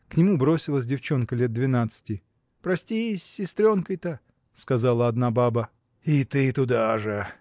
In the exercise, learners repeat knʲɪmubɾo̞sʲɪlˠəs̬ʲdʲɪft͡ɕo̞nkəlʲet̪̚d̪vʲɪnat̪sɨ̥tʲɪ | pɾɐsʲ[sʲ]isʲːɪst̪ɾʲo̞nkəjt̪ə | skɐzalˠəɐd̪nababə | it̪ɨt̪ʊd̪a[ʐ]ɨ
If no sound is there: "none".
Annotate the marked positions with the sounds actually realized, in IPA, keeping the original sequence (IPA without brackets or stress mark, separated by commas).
tʲ, ʐ